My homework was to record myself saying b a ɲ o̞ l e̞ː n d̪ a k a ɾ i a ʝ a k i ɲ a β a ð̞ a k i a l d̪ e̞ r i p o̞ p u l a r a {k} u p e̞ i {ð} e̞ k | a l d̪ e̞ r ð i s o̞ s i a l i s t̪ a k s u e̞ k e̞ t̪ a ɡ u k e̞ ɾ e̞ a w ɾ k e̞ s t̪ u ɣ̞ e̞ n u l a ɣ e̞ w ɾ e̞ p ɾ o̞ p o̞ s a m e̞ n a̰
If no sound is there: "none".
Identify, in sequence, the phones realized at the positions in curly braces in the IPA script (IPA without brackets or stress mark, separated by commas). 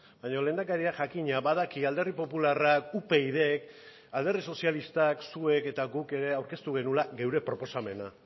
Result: k, ð